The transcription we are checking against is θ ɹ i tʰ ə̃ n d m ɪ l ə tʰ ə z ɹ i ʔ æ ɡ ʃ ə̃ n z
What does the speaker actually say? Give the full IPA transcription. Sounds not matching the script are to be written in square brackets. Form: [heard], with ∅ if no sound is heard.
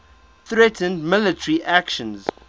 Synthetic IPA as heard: θ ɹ [ɛ] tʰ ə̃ n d m ɪ l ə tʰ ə [∅] ɹ i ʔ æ [k] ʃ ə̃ n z

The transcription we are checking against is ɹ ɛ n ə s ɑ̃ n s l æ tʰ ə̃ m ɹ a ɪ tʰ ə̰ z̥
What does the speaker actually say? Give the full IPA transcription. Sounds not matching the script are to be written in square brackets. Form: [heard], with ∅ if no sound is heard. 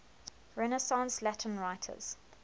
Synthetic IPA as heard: ɹ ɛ n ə s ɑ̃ n s l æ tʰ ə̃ [n] ɹ a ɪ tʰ ə̰ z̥

